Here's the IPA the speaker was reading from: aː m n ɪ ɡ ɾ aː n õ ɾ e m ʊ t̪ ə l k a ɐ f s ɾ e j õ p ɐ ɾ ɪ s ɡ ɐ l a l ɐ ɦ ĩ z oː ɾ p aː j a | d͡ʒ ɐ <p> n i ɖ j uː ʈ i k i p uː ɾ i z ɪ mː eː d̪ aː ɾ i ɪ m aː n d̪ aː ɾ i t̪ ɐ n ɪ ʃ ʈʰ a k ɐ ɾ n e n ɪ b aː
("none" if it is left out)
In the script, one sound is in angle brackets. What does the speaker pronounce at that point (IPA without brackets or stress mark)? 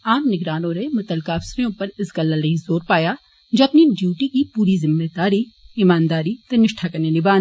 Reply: p